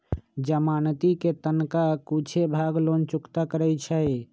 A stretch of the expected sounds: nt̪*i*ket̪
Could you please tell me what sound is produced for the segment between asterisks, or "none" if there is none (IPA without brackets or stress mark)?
i